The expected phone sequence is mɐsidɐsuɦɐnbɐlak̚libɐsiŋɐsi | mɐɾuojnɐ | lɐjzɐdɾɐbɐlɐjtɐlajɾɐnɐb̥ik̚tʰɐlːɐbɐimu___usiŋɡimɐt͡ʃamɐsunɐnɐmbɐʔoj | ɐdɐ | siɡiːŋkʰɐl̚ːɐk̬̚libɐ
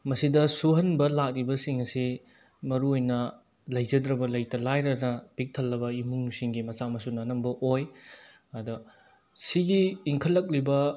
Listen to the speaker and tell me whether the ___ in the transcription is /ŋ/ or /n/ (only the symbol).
ŋ